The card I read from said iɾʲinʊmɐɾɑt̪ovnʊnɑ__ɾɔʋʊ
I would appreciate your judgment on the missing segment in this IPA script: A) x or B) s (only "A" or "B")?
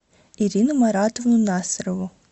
B